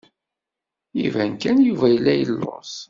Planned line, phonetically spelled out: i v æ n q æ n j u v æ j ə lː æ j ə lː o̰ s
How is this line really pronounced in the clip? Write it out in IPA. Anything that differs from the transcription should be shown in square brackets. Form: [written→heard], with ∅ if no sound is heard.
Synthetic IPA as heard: i v æ n [q→k] æ n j u v æ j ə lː æ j ə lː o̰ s